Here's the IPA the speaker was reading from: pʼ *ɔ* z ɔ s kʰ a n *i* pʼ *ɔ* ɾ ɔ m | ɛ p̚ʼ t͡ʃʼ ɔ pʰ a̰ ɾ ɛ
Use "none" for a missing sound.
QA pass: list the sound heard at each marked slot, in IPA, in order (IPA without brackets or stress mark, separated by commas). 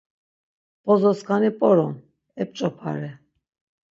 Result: ɔ, i, ɔ